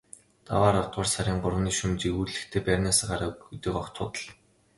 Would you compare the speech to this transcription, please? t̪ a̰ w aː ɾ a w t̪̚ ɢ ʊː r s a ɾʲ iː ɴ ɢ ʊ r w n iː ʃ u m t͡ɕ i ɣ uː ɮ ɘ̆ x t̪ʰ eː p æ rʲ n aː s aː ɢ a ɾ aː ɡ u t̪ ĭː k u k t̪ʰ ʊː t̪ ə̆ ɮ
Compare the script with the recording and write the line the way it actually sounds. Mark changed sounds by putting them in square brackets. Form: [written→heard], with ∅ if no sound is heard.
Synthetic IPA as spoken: t̪ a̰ w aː ɾ a w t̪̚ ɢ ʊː r s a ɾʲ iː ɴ ɢ ʊ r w n iː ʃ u m t͡ɕ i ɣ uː ɮ ɘ̆ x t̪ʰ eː p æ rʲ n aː s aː ɢ a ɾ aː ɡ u t̪ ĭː k [u→ɔ] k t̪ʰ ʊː t̪ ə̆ ɮ

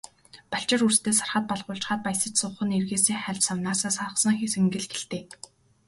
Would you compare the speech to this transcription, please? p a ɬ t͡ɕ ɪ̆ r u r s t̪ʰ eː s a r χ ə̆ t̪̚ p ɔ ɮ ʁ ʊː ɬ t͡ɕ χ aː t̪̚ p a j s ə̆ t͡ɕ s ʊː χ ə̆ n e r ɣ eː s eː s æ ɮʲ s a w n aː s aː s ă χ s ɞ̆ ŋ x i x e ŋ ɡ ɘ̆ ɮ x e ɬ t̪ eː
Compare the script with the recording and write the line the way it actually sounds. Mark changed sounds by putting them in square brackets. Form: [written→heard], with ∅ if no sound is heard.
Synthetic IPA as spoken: p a ɬ t͡ɕ ɪ̆ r u r s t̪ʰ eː s a r χ ə̆ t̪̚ p ɔ ɮ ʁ ʊː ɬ t͡ɕ χ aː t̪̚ p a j s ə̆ t͡ɕ s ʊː χ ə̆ n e r ɣ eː s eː [s→χ] æ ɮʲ s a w n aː s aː s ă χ s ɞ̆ ŋ x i [x→s] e ŋ ɡ ɘ̆ ɮ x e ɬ t̪ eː

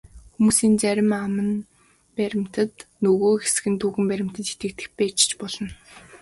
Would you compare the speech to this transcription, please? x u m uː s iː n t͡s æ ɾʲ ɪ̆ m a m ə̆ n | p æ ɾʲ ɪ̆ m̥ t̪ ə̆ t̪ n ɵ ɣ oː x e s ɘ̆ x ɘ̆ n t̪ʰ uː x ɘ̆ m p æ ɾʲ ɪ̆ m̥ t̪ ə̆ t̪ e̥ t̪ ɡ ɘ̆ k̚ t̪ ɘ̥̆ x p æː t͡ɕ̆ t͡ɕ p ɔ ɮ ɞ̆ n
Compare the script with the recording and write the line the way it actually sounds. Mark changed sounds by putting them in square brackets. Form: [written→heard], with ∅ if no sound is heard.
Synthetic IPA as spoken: x u m uː s iː n t͡s æ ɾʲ ɪ̆ m a m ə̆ n | p æ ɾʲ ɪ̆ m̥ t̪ ə̆ t̪ n ɵ ɣ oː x e s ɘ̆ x ɘ̆ n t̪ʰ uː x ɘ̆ m p æ ɾʲ ɪ̆ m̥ t̪ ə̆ t̪ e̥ t̪ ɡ ɘ̆ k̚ t̪ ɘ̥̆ x p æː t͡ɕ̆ t͡ɕ p ɔ ɮ ɞ̆ n

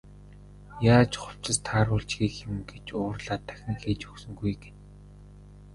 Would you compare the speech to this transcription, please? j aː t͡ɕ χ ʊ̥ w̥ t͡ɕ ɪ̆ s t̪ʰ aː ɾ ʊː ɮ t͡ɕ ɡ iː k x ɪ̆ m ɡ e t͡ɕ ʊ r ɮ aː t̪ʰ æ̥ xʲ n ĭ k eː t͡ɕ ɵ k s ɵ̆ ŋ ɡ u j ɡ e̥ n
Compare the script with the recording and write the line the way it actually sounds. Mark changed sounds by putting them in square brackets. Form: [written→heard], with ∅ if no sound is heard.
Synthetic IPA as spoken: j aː t͡ɕ χ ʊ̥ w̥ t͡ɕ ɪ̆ s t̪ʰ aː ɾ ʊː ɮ t͡ɕ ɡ iː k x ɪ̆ m ɡ e t͡ɕ [ʊ→ʊː] r ɮ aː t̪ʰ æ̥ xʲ n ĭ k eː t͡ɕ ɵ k s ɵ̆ ŋ ɡ u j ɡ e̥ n

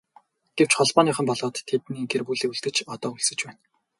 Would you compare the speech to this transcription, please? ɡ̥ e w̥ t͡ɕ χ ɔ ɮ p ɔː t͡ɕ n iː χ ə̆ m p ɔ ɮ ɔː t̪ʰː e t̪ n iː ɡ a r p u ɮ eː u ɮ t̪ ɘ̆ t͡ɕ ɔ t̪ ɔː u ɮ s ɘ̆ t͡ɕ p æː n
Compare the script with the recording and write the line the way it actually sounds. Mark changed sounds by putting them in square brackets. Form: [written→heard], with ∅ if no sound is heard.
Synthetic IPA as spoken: ɡ̥ e w̥ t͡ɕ χ ɔ ɮ p ɔː [t͡ɕ→∅] n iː χ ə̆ m p ɔ ɮ ɔː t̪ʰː e t̪ n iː ɡ [a→e] r p u ɮ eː u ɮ t̪ ɘ̆ t͡ɕ ɔ t̪ ɔː u ɮ s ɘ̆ t͡ɕ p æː n

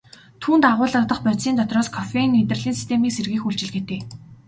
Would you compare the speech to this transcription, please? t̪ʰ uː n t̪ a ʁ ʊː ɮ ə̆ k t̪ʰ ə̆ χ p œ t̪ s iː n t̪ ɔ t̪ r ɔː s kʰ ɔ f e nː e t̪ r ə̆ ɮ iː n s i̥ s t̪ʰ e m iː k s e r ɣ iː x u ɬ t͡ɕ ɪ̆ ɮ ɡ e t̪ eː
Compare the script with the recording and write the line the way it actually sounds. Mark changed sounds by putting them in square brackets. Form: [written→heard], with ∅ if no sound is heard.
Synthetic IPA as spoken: t̪ʰ uː n t̪ a ʁ ʊː ɮ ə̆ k [t̪ʰ→t̪] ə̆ χ p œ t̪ s iː n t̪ ɔ t̪ r ɔː s kʰ ɔ f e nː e t̪ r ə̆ ɮ iː n s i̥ s t̪ʰ e m iː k s e r ɣ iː x u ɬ t͡ɕ ɪ̆ ɮ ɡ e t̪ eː

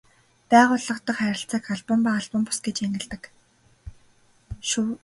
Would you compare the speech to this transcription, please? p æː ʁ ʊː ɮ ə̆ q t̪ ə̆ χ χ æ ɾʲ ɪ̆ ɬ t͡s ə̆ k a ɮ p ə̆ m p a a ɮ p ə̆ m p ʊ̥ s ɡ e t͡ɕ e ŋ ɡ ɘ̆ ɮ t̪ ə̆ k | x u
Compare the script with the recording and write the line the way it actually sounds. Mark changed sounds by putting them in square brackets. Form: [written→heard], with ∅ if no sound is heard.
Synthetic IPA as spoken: p æː ʁ ʊː ɮ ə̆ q t̪ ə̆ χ χ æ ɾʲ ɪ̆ ɬ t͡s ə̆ k a ɮ p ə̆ m p a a ɮ p ə̆ m p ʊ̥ s ɡ e t͡ɕ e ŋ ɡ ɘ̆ ɮ t̪ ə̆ k | [x→ʃ] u

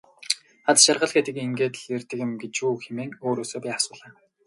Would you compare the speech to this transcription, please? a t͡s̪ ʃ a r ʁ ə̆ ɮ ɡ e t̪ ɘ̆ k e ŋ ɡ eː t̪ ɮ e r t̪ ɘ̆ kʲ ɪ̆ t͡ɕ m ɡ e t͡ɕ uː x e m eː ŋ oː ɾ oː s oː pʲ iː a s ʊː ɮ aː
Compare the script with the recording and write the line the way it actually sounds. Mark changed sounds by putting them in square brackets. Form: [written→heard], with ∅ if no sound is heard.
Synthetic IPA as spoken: a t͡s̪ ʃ a r ʁ ə̆ ɮ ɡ e t̪ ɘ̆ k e ŋ ɡ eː t̪ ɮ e r t̪ ɘ̆ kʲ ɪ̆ [t͡ɕ→∅] m ɡ e t͡ɕ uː x e m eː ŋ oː ɾ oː s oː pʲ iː a s ʊː ɮ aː

